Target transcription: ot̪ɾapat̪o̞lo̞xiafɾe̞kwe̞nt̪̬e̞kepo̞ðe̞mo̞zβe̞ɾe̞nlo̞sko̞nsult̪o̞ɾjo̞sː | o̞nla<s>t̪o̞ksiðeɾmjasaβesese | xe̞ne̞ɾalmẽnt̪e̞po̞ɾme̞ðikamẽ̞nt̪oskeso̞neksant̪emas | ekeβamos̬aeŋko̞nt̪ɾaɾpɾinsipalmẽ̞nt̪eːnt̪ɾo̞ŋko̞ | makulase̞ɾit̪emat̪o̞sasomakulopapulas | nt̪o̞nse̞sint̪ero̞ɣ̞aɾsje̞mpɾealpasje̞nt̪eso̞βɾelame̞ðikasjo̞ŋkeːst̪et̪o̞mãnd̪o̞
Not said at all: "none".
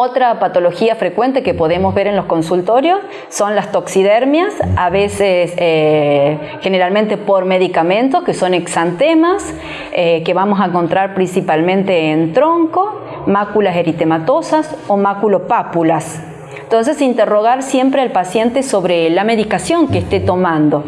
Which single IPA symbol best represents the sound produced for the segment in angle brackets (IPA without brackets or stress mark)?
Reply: s